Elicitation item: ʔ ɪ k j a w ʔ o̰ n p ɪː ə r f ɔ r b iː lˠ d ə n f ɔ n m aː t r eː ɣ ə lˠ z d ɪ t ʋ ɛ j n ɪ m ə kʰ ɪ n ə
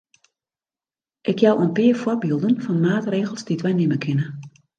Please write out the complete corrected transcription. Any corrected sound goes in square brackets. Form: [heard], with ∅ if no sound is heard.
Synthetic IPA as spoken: ʔ ɪ k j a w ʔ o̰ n p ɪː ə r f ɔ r b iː lˠ d ə n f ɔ n m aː t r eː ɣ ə lˠ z d [i] t ʋ ɛ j n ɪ m ə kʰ ɪ n ə